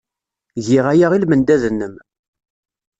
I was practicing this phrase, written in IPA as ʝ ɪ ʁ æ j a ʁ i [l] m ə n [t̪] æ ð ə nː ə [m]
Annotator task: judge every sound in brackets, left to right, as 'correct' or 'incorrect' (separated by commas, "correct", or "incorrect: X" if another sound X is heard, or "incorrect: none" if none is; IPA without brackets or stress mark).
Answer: correct, incorrect: d̪, correct